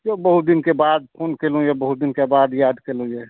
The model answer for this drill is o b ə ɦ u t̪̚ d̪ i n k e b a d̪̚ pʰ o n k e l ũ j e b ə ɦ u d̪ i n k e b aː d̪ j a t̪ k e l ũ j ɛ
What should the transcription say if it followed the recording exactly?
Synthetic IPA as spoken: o b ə ɦ u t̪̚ d̪ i n k e b a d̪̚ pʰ o n k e l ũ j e b ə ɦ u d̪ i n k e b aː d̪ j a d̪ k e l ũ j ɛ

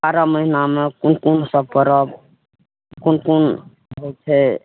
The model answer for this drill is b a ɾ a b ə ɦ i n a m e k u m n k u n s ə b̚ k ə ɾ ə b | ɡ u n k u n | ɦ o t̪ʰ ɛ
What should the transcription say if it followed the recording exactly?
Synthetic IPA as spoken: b a ɾ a m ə ɦ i n a m e k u n k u n s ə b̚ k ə ɾ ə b | k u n k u n | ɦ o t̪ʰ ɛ

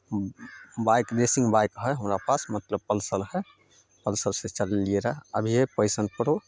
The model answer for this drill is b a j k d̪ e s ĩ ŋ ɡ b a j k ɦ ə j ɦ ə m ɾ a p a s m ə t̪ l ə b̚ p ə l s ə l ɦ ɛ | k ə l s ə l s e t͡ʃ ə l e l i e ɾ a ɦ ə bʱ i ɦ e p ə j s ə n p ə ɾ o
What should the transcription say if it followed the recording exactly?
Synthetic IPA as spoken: b a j k d̪ e s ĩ ŋ ɡ b a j k ɦ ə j ɦ ə m ɾ a p a s m ə t̪ l ə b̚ p ə l s ə l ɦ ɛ | p ə l s ə l s e t͡ʃ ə l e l i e ɾ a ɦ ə bʱ i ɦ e p ə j s ə n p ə ɾ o

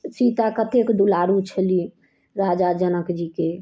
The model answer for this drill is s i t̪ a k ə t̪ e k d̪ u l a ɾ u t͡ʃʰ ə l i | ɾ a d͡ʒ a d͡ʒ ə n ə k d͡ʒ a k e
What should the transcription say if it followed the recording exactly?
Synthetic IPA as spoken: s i t̪ a k ə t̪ e k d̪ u l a ɾ u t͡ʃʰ ə l i | ɾ a d͡ʒ a d͡ʒ ə n ə k d͡ʒ i k e

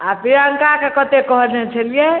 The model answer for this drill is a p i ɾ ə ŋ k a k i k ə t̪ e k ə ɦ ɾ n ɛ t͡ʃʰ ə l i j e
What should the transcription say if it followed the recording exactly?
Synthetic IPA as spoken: a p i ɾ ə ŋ k a k e k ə t̪ e k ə ɦ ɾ n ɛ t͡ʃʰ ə l i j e

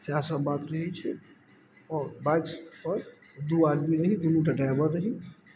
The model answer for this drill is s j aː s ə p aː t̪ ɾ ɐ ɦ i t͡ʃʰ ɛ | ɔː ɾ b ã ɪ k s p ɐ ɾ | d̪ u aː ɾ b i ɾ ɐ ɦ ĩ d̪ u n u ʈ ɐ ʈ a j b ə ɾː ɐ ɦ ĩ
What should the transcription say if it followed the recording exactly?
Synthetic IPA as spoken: s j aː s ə b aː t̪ ɾ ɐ ɦ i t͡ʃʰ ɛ | ɔː ɾ b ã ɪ k s p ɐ ɾ | d̪ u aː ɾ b i ɾ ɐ ɦ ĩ d̪ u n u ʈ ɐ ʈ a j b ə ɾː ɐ ɦ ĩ

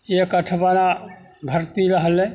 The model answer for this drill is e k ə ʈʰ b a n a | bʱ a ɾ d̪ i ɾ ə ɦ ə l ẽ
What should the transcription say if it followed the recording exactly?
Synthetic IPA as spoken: e k ə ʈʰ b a n a | bʱ ə ɾ t̪ i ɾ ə ɦ ə l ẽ

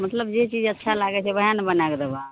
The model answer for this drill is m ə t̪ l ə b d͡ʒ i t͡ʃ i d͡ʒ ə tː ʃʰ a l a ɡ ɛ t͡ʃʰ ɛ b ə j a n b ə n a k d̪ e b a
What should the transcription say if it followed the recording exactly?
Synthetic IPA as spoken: m ə t̪ l ə b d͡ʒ e t͡ʃ i d͡ʒ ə tː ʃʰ a l a ɡ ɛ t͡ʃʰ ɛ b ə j a n b ə n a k d̪ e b a

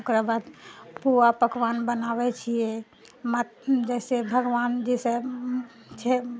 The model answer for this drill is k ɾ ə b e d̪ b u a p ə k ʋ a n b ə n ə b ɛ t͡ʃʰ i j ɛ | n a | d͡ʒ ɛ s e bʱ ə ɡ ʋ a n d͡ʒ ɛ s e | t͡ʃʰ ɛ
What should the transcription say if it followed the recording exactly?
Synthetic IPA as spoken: k ɾ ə b a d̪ p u a p ə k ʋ a n b ə n a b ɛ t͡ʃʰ i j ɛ | m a | d͡ʒ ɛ s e bʱ ə ɡ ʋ a n d͡ʒ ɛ s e | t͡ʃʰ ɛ

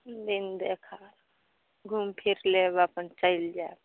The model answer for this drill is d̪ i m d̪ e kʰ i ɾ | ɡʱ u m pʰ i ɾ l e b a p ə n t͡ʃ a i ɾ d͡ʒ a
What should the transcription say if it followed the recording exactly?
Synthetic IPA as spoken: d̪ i n d̪ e kʰ a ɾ | ɡʱ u m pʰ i ɾ l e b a p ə n t͡ʃ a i l d͡ʒ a

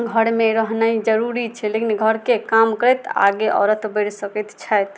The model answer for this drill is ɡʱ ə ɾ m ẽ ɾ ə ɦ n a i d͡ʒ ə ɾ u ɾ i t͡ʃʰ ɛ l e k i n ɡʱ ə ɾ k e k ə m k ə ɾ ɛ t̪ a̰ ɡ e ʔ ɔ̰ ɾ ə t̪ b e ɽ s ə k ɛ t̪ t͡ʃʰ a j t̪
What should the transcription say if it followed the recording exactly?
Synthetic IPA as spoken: ɡʱ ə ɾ m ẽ ɾ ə ɦ n a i d͡ʒ ə ɾ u ɾ i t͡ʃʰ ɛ l e k i n ɡʱ ə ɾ k e k a m k ə ɾ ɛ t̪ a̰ ɡ e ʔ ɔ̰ ɾ ə t̪ b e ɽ s ə k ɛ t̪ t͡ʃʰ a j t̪

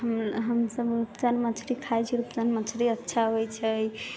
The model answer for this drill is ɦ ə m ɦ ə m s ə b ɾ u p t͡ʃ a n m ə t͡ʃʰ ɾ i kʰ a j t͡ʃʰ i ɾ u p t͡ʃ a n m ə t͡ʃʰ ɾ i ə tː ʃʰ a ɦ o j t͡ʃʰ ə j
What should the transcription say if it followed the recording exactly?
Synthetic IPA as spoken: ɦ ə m ɦ ə m s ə b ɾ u p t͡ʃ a n m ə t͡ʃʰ ɾ i kʰ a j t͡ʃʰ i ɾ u p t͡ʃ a n m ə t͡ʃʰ ɾ i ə tː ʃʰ a ɦ o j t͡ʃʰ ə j

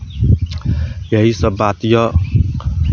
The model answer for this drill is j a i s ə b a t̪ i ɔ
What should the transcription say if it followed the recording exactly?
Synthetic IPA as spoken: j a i s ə b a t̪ j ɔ

